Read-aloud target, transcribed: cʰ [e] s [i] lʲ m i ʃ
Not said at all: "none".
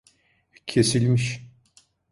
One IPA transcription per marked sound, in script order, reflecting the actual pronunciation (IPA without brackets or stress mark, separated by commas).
e, i